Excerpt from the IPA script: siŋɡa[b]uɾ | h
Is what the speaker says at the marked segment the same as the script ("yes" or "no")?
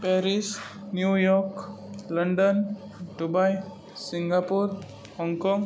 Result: no